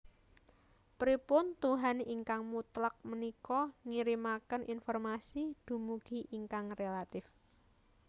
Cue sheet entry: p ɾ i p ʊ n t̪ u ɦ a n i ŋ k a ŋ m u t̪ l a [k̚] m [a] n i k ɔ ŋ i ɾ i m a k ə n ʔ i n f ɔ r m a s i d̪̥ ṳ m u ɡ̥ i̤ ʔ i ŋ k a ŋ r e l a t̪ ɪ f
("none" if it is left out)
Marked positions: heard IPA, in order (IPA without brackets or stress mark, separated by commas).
k̚, ə